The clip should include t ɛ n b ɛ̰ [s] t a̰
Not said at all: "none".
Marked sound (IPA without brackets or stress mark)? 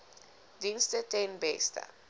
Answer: s